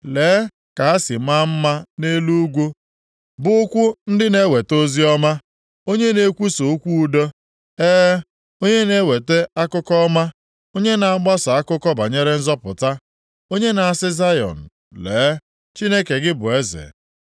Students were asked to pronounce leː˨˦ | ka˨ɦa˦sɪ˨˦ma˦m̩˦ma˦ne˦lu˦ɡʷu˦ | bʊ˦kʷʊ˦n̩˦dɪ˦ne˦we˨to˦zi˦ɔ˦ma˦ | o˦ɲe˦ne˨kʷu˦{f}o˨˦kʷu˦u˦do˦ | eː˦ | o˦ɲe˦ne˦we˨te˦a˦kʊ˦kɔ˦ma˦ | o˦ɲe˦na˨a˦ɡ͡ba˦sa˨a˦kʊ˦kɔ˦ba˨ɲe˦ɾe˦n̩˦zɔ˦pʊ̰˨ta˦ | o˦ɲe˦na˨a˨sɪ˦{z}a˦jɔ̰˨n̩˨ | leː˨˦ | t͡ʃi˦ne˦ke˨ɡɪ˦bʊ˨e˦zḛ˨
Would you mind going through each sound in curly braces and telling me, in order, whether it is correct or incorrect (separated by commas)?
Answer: incorrect, correct